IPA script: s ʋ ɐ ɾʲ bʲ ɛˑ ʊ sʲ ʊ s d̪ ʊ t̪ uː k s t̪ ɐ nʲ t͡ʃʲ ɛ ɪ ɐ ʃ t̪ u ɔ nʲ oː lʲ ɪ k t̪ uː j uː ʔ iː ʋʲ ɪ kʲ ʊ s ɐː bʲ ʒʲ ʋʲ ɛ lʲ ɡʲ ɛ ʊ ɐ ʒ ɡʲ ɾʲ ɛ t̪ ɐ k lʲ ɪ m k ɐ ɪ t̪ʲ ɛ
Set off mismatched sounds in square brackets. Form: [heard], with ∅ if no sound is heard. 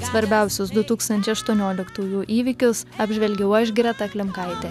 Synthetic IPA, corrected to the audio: s ʋ ɐ ɾʲ bʲ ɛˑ ʊ sʲ ʊ s d̪ ʊ t̪ uː k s t̪ ɐ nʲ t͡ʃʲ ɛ ɪ ɐ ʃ t̪ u ɔ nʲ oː lʲ ɪ k t̪ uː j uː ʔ iː ʋʲ ɪ kʲ ʊ s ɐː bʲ ʒʲ ʋʲ ɛ lʲ ɡʲ ɛ ʊ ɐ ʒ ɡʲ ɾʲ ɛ t̪ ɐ k lʲ ɪ m k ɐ ɪ t̪ʲ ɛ